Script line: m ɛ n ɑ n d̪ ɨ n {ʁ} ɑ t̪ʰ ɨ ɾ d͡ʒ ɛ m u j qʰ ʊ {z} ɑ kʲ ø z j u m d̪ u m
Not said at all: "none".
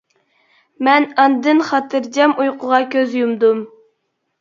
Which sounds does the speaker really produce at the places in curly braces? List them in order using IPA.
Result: χ, ʁ

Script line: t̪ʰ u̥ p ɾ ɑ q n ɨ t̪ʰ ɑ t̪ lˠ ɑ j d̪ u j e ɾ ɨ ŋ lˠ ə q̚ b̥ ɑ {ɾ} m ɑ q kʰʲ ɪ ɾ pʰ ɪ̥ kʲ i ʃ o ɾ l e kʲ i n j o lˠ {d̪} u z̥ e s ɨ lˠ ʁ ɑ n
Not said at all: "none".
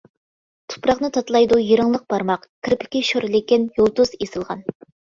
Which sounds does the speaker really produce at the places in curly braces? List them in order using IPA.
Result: ɾ, t̪

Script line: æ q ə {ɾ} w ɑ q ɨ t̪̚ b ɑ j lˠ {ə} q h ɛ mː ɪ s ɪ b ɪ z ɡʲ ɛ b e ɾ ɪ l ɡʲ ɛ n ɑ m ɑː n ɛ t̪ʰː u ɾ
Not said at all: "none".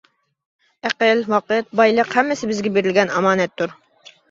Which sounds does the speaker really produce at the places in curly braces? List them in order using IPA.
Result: l, ə

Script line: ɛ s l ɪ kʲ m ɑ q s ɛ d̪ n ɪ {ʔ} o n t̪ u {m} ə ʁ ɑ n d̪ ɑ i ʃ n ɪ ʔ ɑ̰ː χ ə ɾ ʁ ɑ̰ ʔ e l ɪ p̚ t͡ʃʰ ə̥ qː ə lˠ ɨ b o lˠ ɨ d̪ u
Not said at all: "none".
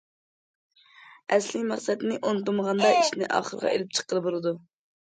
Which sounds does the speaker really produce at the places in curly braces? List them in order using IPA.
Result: ʔ, m

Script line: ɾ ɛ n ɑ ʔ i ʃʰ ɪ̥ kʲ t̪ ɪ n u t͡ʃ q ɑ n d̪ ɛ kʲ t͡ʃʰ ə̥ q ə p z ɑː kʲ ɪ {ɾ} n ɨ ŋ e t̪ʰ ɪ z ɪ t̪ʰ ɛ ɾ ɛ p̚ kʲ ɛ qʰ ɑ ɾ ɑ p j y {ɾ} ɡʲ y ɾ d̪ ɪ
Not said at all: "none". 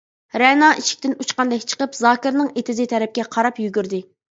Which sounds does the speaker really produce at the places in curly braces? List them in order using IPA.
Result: ɾ, none

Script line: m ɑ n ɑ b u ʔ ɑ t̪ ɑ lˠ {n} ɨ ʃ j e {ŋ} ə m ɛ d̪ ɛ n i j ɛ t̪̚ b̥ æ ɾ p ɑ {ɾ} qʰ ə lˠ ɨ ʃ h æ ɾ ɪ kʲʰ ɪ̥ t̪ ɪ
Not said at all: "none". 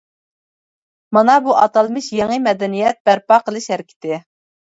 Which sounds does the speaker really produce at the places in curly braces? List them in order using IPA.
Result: m, ŋ, none

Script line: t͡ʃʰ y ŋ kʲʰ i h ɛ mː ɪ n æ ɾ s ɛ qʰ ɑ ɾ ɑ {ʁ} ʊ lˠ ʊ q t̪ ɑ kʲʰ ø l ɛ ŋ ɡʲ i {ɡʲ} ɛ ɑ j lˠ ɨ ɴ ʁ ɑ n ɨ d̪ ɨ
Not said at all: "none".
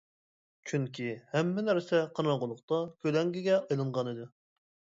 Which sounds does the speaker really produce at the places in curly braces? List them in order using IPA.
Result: ʁ, ɡʲ

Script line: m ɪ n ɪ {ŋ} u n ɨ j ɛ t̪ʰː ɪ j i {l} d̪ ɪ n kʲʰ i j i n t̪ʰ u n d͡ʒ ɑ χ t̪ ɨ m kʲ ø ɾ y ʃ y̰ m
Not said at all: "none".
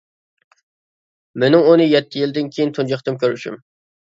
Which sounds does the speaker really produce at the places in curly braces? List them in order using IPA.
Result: ŋ, l

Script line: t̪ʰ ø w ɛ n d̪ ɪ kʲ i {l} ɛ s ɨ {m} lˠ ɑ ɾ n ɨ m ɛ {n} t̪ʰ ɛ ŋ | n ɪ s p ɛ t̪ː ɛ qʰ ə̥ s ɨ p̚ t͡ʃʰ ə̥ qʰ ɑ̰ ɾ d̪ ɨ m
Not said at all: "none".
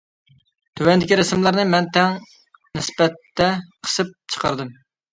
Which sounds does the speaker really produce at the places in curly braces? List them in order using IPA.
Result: ɾ, m, n

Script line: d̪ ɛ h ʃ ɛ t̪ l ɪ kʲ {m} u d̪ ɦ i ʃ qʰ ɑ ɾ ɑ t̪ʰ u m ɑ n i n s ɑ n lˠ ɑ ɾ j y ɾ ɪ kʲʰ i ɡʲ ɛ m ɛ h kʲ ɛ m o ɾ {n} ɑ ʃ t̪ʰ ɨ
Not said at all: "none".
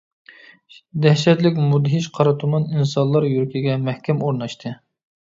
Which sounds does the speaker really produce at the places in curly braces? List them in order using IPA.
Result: m, n

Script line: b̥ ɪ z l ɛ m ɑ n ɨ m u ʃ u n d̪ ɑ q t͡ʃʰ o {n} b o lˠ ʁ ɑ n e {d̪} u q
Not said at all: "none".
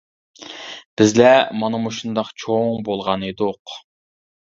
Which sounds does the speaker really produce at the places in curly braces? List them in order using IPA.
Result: ŋ, d̪

